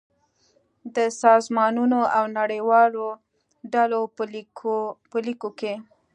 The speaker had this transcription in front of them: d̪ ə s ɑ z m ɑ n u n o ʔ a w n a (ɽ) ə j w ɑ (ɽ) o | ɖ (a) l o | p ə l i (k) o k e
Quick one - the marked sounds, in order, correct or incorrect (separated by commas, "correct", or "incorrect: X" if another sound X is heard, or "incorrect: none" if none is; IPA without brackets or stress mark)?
correct, incorrect: l, correct, correct